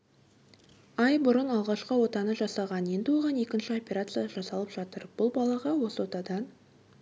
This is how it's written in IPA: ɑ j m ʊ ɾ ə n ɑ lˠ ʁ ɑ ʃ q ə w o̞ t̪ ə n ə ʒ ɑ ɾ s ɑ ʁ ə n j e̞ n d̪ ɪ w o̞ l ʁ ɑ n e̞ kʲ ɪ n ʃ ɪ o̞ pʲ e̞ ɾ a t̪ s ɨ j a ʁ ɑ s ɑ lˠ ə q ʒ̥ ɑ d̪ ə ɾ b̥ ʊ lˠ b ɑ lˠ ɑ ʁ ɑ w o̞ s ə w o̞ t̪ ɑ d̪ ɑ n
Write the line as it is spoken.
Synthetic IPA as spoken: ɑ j b ʊ ɾ ə n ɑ lˠ ʁ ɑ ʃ q ə w o̞ t̪ ɑ n ə ʒ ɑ s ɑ ʁ ɑ n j e̞ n d̪ ɪ w o̞ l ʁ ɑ n e̞ kʲ ɪ n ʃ ɪ o̞ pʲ e̞ ɾ a t̪ s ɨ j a ʒ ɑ s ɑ lˠ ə p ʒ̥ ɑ t̪ ə ɾ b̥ ʊ lˠ b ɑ lˠ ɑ ʁ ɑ w o̞ s ə w o̞ t̪ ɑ d̪ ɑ n